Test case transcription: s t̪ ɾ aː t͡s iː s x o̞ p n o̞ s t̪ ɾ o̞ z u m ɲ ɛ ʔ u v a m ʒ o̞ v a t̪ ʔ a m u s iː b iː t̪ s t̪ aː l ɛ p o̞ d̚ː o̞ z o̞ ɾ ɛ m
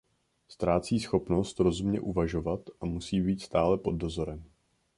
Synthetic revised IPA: s t̪ ɾ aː t͡s iː s x o̞ p n o̞ s t̪ ɾ o̞ z u m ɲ ɛ ʔ u v a ʒ o̞ v a t̪ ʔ a m u s iː b iː t̪ s t̪ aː l ɛ p o̞ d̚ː o̞ z o̞ ɾ ɛ m